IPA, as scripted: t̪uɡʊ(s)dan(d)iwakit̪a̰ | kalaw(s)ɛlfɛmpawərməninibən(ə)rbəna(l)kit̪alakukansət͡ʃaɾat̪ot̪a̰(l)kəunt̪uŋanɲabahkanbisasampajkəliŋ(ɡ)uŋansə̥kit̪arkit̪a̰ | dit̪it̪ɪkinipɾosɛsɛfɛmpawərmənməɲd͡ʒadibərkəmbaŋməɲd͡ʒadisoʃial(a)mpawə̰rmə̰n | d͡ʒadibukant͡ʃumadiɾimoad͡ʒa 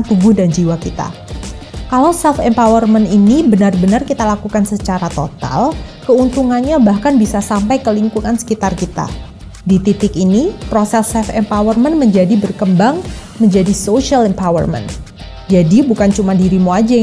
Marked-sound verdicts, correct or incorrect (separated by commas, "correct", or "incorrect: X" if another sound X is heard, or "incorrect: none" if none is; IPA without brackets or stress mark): incorrect: h, incorrect: d͡ʒ, correct, incorrect: a, incorrect: r, correct, incorrect: k, incorrect: ɛ